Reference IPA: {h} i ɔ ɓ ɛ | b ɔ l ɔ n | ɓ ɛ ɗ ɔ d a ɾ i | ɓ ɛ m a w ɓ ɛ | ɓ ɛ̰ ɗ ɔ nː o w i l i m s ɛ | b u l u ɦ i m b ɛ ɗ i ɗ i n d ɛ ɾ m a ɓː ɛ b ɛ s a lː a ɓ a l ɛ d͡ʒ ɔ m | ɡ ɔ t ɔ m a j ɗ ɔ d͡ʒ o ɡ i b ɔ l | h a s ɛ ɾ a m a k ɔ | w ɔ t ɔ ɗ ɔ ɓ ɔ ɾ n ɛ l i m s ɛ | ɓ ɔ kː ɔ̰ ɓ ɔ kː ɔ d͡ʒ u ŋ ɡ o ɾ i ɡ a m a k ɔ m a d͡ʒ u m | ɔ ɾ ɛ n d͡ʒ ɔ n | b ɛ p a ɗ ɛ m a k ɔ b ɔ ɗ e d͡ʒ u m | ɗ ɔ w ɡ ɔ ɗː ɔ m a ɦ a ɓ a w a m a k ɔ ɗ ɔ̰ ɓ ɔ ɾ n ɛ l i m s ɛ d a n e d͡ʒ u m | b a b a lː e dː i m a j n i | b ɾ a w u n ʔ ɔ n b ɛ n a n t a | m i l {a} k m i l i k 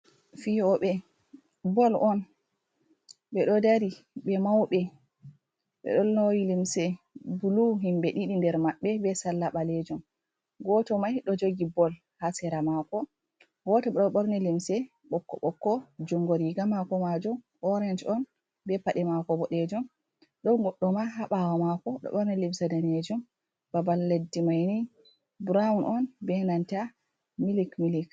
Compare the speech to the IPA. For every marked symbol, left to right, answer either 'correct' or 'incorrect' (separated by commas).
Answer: incorrect, incorrect